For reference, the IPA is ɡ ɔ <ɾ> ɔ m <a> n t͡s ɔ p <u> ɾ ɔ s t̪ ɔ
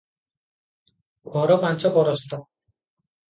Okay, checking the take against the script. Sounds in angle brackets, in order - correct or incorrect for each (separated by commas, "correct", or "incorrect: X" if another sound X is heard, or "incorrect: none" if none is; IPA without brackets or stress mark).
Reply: correct, correct, incorrect: ɔ